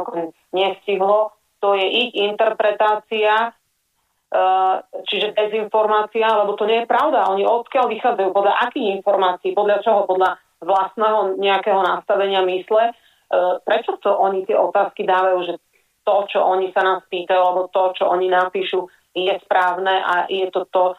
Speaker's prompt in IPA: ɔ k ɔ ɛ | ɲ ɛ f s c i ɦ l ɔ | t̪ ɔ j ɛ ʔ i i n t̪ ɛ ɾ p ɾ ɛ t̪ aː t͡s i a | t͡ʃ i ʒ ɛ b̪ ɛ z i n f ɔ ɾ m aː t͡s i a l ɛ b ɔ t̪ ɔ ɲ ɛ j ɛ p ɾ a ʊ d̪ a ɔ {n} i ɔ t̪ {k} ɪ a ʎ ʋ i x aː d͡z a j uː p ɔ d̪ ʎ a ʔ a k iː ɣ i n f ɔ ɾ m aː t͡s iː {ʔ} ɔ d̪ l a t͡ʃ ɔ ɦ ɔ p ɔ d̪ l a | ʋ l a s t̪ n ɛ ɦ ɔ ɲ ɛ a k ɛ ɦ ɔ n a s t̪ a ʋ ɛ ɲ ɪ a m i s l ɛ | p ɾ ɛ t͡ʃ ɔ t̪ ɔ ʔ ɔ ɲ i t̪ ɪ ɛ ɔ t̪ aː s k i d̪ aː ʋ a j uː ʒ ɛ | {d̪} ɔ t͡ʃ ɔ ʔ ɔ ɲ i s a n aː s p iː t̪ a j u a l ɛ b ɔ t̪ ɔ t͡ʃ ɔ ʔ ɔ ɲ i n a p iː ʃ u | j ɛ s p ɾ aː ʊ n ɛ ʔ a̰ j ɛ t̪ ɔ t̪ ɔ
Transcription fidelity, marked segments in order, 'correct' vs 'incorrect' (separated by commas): incorrect, correct, incorrect, incorrect